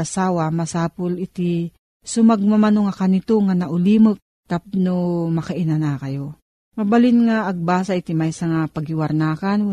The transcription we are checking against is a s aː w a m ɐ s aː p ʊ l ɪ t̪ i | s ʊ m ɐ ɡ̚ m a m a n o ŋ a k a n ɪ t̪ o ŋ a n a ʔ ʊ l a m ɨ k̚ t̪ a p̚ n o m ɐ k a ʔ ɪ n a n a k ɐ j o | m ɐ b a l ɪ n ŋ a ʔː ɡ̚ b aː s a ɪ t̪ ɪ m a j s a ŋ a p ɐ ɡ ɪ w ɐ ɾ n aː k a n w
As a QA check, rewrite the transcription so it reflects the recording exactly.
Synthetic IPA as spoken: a s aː w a m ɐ s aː p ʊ l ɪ t̪ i | s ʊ m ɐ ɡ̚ m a m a n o ŋ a k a n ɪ t̪ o ŋ a n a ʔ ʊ l i m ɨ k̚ t̪ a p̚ n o m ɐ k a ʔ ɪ n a n a k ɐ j o | m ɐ b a l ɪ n ŋ a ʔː ɡ̚ b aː s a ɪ t̪ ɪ m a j s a ŋ a p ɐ ɡ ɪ w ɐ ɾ n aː k a n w